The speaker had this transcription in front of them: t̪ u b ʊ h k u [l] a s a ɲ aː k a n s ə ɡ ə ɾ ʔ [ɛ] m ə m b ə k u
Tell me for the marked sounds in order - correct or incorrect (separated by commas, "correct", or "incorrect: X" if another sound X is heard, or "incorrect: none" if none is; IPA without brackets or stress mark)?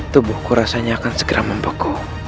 incorrect: ɾ, incorrect: a